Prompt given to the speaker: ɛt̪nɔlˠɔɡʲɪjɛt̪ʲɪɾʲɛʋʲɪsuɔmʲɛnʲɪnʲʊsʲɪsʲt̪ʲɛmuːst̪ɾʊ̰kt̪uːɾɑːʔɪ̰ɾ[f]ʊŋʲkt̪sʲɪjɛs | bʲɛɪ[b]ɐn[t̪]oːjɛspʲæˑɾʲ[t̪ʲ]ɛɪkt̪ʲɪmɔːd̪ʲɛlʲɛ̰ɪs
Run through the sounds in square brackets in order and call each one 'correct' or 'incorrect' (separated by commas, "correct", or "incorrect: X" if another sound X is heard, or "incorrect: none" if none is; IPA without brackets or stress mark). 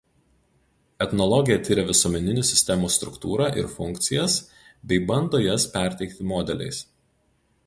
correct, correct, incorrect: d̪, correct